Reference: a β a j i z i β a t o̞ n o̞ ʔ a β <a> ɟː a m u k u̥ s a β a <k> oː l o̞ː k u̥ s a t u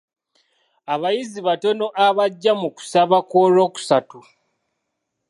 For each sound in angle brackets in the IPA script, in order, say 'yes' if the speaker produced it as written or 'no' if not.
yes, yes

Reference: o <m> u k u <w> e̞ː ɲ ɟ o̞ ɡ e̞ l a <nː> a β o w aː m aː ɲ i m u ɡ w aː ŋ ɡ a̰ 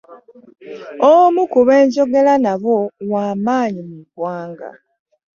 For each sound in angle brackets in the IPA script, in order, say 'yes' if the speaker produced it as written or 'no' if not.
yes, no, no

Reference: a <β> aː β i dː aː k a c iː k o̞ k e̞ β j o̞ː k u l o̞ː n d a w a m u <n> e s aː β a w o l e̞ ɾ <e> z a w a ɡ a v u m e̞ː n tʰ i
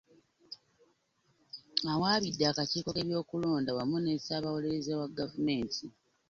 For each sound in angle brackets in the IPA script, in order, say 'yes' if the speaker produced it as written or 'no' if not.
no, yes, yes

